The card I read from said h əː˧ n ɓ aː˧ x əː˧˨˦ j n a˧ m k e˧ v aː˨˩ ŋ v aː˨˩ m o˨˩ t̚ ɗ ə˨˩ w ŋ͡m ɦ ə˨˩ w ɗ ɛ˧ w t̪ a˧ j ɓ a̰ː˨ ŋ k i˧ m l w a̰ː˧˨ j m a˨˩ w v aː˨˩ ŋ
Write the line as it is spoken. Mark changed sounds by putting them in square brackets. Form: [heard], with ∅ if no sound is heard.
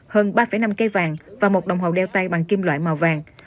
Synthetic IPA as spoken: h əː˧ n ɓ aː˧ [f] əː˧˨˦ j n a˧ m k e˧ v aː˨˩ ŋ v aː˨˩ m o˨˩ t̚ ɗ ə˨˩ w ŋ͡m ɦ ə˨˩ w ɗ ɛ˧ w t̪ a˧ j ɓ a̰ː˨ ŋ k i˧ m l w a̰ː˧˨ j m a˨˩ w v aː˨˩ ŋ